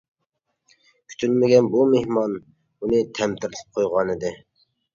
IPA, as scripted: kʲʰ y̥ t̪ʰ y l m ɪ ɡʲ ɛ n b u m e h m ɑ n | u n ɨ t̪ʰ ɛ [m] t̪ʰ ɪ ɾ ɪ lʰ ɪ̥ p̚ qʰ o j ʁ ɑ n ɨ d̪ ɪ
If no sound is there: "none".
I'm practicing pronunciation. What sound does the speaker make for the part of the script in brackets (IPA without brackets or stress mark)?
m